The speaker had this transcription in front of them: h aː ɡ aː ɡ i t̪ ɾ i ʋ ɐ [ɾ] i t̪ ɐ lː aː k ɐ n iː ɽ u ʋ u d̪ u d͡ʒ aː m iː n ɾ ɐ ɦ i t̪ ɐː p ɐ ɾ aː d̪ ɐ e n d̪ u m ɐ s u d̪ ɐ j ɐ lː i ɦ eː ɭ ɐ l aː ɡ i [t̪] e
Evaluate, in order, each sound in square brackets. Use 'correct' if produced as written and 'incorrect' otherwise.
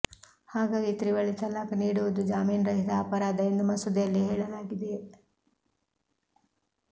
incorrect: ɭ, incorrect: d̪

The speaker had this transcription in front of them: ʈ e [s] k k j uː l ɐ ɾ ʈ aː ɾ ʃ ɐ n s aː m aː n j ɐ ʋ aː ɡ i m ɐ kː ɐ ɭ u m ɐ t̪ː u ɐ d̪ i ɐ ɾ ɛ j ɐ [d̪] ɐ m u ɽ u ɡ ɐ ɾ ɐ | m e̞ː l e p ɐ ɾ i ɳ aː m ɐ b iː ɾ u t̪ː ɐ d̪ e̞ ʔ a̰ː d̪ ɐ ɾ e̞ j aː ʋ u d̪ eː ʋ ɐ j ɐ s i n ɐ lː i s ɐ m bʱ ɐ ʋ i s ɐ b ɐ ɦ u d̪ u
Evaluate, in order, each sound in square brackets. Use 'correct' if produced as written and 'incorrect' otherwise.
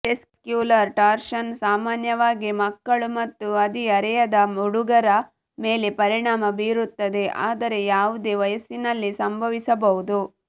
correct, correct

